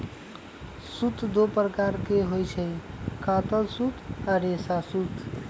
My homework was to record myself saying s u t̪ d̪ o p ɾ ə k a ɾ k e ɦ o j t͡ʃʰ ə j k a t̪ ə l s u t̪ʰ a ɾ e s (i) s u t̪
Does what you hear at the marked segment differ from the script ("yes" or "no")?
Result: yes